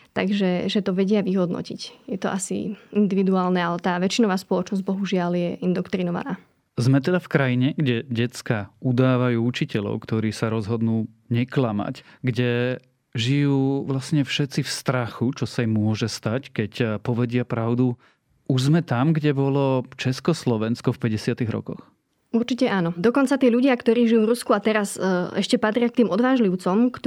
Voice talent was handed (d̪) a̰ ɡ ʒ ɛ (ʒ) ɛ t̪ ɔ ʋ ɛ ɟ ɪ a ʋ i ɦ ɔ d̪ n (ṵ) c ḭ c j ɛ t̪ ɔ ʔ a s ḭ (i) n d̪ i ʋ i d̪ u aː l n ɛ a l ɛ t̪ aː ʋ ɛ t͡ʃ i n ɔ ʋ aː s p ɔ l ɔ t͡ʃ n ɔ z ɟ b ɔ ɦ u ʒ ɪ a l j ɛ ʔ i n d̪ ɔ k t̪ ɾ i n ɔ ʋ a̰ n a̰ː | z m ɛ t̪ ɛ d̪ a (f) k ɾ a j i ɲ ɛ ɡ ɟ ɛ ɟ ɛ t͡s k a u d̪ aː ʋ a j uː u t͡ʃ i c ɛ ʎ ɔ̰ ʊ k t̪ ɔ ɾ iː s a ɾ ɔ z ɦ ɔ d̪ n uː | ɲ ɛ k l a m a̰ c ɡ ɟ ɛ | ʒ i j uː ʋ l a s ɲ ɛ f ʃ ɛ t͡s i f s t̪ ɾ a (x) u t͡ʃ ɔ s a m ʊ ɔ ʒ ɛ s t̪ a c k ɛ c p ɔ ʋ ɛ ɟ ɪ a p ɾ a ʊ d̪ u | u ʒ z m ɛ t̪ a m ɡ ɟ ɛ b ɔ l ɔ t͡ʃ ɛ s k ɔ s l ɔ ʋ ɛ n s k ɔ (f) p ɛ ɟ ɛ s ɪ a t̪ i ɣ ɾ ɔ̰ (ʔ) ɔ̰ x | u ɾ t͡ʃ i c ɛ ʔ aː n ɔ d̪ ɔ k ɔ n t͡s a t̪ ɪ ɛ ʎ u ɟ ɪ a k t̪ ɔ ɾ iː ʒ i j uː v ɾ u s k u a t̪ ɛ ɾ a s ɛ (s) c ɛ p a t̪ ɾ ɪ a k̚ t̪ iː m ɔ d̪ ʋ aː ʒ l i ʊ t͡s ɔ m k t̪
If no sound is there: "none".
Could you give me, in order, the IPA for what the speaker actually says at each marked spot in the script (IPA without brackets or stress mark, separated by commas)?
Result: t̪, ʒ, ɔ̰, i, f, x, f, k, ʃ